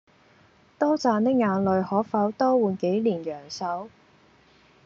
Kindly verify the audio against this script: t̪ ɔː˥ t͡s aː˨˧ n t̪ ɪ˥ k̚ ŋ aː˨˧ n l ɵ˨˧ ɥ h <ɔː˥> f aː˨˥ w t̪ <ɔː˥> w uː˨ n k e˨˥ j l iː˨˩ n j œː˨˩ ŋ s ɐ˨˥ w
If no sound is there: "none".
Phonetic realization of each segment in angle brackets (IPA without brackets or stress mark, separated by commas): ɔː˨˥, ɔː˥